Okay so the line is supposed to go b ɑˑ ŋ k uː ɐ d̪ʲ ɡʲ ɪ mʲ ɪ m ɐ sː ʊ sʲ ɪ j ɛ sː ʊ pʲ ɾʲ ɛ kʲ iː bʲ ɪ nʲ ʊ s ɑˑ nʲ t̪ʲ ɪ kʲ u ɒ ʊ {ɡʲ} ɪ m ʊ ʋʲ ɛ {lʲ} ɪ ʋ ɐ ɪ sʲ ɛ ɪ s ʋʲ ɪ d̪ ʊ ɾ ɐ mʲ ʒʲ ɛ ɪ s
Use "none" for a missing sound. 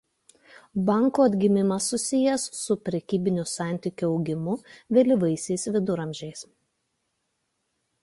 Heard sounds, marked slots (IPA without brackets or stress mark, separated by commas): ɡʲ, lʲ